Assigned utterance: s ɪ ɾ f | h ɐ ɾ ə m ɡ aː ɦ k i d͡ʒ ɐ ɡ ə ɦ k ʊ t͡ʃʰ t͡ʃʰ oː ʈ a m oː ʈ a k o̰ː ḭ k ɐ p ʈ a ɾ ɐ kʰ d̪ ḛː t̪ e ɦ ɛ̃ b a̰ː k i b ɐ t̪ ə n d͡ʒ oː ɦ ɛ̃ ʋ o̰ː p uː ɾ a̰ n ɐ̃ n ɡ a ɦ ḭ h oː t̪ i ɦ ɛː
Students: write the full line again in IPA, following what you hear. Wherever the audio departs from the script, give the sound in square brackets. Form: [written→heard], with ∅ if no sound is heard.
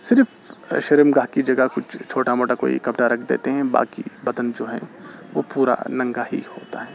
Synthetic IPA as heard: s ɪ ɾ f | [h→ʃ] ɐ ɾ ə m ɡ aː ɦ k i d͡ʒ ɐ ɡ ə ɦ k ʊ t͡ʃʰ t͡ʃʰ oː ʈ a m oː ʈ a k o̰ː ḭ k ɐ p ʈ a ɾ ɐ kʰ d̪ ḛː t̪ e ɦ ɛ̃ b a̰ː k i b ɐ [t̪→d̪] ə n d͡ʒ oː ɦ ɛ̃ ʋ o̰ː p uː ɾ a̰ n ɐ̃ [n→ŋ] ɡ a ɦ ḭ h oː t̪ [i→a] ɦ ɛː